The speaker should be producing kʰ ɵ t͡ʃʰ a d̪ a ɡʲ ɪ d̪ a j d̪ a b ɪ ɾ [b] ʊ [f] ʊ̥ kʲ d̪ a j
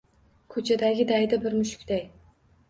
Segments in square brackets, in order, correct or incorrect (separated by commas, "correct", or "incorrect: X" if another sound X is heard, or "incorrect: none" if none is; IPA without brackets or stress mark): incorrect: m, incorrect: ʃ